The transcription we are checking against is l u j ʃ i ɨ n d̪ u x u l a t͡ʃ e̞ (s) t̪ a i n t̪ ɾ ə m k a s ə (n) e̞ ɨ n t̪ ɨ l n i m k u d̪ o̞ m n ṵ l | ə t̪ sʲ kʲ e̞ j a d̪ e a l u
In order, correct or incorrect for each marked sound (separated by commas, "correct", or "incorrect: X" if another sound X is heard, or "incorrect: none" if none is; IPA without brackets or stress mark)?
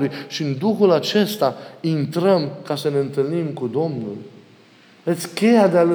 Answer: correct, correct